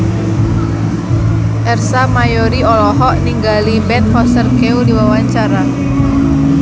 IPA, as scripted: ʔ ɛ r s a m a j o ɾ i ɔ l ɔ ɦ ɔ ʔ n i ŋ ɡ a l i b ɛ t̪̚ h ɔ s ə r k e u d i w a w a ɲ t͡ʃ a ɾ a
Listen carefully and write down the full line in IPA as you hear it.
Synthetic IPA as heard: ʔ ɛ r s a m a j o ɾ i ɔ l ɔ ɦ ɔ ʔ n i ŋ ɡ a l i b ɛ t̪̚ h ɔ s ə r k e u d i w a w a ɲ t͡ʃ a ɾ a